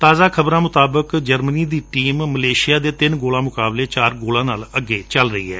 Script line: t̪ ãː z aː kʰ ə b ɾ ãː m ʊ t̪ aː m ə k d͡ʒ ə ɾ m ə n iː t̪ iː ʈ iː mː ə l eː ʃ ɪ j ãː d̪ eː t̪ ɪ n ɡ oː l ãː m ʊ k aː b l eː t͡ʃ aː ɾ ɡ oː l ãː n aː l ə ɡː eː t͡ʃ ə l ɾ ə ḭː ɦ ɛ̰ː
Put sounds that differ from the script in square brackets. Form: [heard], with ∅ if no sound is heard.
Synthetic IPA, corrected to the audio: t̪ [aː] z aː kʰ ə b ɾ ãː m ʊ t̪ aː [b] ə k d͡ʒ ə ɾ m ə n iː [d̪] iː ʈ iː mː ə l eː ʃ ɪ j [aː] d̪ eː t̪ ɪ n ɡ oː l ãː m ʊ k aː b l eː t͡ʃ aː ɾ ɡ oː l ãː n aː l ə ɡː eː t͡ʃ ə l ɾ ə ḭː ɦ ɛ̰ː